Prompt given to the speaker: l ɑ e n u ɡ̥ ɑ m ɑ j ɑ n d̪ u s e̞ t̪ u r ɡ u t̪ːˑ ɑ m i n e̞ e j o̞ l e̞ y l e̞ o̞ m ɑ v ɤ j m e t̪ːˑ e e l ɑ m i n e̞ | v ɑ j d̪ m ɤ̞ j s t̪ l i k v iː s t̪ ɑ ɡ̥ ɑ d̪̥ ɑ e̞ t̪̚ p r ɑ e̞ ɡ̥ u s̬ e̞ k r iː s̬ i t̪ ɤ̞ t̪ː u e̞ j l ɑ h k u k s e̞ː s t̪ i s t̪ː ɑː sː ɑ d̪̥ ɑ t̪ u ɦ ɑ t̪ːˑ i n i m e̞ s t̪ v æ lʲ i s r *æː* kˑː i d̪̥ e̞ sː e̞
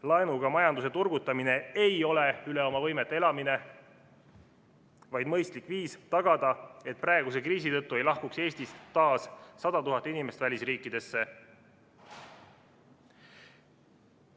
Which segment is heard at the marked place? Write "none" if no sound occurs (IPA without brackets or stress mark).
iː